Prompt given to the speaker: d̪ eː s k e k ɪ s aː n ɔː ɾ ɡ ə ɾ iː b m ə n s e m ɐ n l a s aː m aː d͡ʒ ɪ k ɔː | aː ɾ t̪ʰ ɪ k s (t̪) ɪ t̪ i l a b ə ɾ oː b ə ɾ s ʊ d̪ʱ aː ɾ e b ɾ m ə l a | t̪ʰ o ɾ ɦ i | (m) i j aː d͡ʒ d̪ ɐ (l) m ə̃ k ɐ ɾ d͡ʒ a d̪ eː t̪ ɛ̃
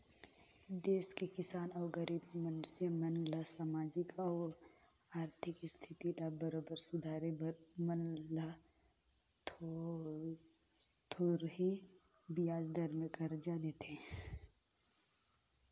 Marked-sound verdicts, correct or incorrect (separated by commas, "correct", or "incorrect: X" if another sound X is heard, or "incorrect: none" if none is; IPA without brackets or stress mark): incorrect: t̪ʰ, incorrect: b, incorrect: ɾ